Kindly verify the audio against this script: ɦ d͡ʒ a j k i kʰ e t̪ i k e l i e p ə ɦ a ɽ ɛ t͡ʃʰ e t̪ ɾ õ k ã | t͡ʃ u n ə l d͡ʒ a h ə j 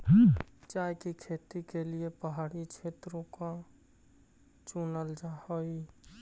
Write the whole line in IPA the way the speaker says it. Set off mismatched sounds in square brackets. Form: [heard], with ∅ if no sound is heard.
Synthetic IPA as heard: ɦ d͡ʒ a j k i kʰ e t̪ i k e l i e p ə ɦ a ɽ [i] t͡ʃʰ e t̪ ɾ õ k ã | t͡ʃ u n ə l d͡ʒ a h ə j